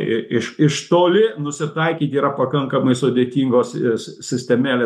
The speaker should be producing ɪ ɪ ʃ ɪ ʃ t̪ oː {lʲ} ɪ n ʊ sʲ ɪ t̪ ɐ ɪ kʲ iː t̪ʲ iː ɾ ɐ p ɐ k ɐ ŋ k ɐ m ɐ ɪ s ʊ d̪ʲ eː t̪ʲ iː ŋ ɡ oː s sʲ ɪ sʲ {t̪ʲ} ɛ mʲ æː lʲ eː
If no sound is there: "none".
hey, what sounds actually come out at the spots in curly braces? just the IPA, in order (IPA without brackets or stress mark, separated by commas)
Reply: lʲ, t̪ʲ